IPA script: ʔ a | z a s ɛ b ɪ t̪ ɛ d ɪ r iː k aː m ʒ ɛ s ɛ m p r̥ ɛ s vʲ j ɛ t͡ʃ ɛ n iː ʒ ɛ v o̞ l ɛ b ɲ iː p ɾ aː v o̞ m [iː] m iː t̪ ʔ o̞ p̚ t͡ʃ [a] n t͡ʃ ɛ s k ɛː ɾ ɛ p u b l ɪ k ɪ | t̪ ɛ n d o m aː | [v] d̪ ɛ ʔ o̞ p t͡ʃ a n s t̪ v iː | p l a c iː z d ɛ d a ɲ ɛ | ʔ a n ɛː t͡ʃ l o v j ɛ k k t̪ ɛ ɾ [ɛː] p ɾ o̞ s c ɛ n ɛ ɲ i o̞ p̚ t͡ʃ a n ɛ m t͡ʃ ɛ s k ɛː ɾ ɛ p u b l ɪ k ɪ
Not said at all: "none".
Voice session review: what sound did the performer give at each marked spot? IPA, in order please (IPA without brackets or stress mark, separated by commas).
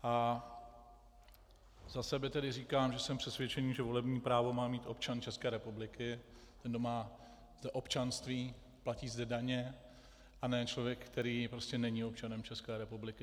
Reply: aː, a, z, iː